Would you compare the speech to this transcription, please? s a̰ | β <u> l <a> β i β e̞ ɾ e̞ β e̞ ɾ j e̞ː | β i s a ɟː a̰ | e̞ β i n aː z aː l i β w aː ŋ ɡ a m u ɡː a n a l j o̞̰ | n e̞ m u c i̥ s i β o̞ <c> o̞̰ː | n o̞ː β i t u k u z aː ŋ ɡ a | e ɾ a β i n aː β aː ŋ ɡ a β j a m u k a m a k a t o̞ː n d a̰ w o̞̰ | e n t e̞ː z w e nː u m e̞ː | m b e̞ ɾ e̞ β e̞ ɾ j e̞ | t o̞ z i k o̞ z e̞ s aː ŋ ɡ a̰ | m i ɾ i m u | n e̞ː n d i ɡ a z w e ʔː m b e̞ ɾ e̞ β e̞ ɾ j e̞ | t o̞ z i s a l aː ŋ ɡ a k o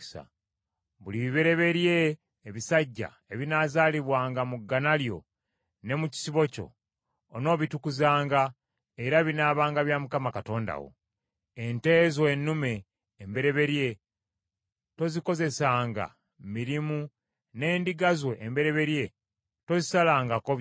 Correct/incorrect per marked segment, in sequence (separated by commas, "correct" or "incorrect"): correct, incorrect, correct